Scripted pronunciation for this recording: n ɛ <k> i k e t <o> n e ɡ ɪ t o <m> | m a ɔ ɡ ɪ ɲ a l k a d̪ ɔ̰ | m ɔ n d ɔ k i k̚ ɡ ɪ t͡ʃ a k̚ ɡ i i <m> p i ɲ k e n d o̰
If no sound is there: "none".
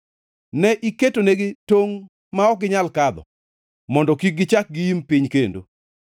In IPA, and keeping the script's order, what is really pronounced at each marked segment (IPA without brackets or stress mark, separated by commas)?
ʔ, o, ŋ, m